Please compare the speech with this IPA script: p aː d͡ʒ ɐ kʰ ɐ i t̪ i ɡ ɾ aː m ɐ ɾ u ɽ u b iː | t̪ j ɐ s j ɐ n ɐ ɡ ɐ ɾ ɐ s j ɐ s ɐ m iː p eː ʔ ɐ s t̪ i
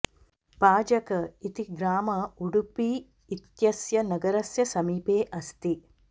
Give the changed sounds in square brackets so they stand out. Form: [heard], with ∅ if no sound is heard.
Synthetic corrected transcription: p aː d͡ʒ ɐ [k] ɐ i t̪ i ɡ ɾ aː m ɐ [∅] u ɽ u [p] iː | t̪ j ɐ s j ɐ n ɐ ɡ ɐ ɾ ɐ s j ɐ s ɐ m iː p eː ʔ ɐ s t̪ i

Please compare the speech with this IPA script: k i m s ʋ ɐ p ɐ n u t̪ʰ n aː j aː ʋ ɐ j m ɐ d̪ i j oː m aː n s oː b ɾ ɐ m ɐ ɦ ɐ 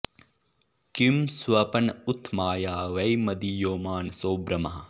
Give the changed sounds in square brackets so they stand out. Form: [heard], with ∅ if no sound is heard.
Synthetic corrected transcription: k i m s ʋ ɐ p ɐ n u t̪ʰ [m] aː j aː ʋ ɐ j m ɐ d̪ i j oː m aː n s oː b ɾ ɐ m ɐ ɦ ɐ

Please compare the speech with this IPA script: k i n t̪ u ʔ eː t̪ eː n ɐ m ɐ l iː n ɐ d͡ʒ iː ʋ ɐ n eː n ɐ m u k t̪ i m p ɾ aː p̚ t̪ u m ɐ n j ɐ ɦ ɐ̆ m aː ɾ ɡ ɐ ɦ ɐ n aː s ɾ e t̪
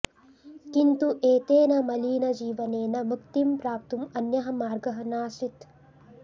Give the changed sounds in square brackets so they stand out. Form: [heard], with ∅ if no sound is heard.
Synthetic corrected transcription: k i n t̪ u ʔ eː t̪ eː n ɐ m ɐ l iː n ɐ d͡ʒ iː ʋ ɐ n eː n ɐ m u k t̪ i m p ɾ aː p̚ t̪ u m ɐ n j ɐ ɦ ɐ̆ m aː ɾ ɡ ɐ ɦ ɐ n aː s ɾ [i] t̪

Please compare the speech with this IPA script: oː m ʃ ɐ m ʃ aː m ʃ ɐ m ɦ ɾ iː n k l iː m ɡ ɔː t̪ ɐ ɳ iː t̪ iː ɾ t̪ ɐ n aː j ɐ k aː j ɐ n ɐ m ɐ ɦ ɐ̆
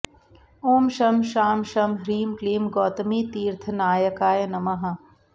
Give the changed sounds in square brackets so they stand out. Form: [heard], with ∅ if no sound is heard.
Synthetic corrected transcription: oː m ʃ ɐ m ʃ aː m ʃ ɐ m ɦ ɾ iː [m] k l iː m ɡ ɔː t̪ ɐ [m] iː t̪ iː ɾ [t̪ʰ] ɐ n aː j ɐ k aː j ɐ n ɐ m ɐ ɦ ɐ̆

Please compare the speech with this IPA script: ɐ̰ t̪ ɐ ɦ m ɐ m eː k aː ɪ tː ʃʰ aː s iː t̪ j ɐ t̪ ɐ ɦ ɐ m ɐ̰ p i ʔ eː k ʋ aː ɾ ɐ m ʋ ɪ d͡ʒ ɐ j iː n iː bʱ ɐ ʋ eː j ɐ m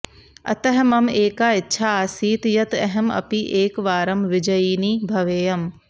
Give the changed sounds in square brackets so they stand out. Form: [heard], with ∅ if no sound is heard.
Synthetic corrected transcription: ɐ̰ t̪ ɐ ɦ m ɐ m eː k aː ɪ tː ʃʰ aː s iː t̪ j ɐ t̪ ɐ ɦ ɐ m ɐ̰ p i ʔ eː k ʋ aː ɾ ɐ m ʋ ɪ d͡ʒ ɐ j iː n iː bʱ ɐ ʋ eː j ɐ m

